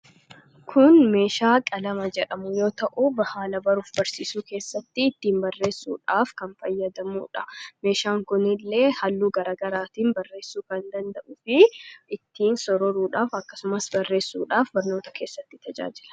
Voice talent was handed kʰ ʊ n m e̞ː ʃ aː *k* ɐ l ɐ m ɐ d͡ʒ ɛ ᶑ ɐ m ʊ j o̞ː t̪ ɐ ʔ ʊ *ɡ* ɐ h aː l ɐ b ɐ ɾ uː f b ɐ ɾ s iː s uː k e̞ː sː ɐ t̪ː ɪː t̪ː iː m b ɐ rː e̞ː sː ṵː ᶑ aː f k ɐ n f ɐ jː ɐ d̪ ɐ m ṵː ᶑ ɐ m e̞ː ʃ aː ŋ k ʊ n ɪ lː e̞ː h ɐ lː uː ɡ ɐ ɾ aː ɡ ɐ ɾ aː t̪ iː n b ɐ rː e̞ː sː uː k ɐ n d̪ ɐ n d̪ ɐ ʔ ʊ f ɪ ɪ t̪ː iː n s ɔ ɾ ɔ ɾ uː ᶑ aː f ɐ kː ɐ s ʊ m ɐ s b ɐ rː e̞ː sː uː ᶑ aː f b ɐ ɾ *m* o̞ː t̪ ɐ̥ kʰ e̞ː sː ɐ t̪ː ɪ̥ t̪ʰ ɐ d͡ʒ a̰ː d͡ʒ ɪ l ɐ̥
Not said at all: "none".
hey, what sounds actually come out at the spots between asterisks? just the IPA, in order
kʼ, b, n

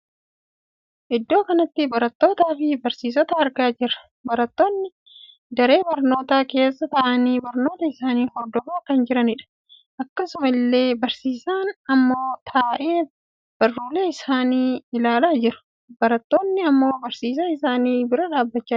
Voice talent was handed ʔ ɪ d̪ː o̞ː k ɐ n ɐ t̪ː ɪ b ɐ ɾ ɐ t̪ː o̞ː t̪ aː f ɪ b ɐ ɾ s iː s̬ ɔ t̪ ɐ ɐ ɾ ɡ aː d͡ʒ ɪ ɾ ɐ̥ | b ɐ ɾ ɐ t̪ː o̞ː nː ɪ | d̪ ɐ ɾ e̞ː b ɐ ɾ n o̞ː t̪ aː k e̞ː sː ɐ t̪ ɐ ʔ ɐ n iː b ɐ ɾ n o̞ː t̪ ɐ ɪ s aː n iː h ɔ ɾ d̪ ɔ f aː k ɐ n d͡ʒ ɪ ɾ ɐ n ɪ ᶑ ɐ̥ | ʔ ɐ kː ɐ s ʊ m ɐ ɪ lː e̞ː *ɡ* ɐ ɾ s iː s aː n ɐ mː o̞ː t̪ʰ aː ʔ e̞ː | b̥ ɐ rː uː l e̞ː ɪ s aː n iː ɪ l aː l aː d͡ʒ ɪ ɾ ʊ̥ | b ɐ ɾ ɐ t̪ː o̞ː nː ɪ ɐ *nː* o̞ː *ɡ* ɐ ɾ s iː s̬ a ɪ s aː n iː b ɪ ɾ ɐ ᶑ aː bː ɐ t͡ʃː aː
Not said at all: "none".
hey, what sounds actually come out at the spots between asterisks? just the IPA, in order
b, mː, b

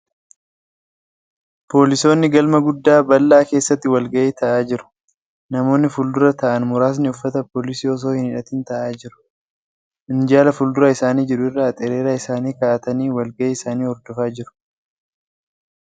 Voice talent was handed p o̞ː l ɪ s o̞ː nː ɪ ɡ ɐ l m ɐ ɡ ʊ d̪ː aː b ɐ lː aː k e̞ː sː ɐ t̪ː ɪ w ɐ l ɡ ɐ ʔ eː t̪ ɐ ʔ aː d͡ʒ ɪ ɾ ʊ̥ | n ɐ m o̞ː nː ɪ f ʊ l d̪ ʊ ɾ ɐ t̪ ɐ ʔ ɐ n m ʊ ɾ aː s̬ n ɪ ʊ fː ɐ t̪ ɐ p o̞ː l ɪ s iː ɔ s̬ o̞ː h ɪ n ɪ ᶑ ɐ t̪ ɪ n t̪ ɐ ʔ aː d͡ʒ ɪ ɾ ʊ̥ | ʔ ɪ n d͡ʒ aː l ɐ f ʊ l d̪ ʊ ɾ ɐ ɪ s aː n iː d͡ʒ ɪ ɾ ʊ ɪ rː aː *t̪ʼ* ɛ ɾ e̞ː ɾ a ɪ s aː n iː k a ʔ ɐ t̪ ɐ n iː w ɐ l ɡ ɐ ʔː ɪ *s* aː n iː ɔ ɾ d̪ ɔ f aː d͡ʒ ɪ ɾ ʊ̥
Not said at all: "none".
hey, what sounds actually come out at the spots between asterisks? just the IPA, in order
t̪ʼ, s

